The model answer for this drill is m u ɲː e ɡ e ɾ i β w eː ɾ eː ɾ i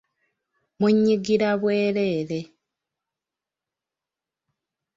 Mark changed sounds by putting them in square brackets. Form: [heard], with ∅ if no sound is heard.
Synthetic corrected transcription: m u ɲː [i] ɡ [i] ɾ [a] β w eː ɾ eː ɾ [e]